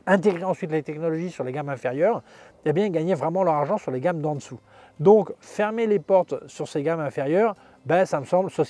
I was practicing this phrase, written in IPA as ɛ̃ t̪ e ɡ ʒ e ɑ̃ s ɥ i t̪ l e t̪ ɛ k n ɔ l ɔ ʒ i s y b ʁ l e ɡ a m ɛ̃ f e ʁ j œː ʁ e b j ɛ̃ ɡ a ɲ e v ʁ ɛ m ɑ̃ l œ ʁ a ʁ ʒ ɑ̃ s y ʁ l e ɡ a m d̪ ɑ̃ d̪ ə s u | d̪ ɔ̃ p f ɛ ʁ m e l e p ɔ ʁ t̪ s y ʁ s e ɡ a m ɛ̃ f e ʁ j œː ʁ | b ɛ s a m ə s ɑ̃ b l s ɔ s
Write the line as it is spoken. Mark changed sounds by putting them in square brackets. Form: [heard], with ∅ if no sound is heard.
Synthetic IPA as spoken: ɛ̃ t̪ e ɡ [ʁ] e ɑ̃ s ɥ i t̪ l e t̪ ɛ k n ɔ l ɔ ʒ i s y [∅] ʁ l e ɡ a m ɛ̃ f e ʁ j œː ʁ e b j ɛ̃ ɡ a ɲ e v ʁ ɛ m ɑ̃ l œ ʁ a ʁ ʒ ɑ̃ s y ʁ l e ɡ a m d̪ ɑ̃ d̪ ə s u | d̪ ɔ̃ [k] f ɛ ʁ m e l e p ɔ ʁ t̪ s y ʁ s e ɡ a m ɛ̃ f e ʁ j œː ʁ | b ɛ s a m ə s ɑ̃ b l s ɔ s